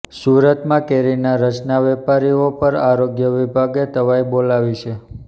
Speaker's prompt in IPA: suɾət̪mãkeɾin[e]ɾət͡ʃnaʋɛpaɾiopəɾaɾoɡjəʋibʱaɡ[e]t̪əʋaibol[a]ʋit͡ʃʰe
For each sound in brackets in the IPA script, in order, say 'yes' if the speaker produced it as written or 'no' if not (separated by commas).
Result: no, yes, yes